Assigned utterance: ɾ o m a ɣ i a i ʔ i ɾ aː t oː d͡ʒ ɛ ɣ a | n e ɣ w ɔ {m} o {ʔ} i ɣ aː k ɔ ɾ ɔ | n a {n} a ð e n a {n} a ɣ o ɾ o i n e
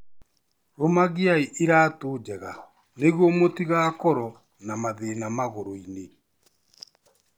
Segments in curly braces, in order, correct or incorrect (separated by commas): correct, incorrect, incorrect, incorrect